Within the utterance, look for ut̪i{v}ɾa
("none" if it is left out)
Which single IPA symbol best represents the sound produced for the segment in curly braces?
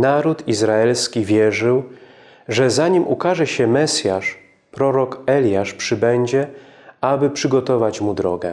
z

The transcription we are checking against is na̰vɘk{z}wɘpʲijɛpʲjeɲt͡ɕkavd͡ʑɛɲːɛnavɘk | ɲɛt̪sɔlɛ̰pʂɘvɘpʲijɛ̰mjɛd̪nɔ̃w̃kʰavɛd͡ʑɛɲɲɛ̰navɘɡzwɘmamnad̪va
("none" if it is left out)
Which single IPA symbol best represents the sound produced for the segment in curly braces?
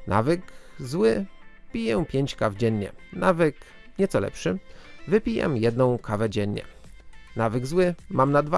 z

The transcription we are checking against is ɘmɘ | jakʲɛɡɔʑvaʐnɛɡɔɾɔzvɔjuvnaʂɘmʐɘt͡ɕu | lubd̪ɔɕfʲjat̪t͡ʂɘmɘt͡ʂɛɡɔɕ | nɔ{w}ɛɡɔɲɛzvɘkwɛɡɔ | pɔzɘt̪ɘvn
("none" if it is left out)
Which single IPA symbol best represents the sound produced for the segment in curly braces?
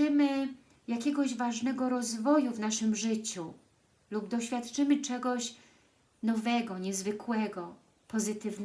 v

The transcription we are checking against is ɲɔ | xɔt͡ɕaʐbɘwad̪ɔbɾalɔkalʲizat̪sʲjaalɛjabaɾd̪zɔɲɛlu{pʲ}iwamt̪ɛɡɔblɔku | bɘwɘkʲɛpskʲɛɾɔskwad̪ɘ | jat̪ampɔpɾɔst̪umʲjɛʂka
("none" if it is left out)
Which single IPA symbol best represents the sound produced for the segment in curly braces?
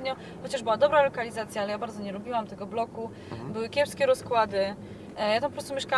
bʲ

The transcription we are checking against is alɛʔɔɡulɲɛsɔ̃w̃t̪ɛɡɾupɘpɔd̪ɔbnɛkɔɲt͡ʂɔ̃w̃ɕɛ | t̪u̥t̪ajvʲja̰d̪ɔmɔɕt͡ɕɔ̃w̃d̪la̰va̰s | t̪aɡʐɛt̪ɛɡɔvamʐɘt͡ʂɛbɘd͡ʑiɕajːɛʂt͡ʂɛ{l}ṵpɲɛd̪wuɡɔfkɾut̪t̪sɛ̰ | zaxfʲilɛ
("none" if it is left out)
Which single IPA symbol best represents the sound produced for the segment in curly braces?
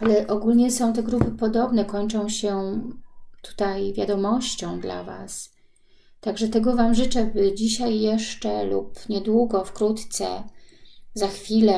l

